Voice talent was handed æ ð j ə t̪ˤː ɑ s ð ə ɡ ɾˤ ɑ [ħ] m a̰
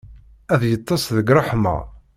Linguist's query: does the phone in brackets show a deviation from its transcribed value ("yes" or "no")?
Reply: no